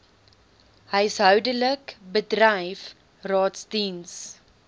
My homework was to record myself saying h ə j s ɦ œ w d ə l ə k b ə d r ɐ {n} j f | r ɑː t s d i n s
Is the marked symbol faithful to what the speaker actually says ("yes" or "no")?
no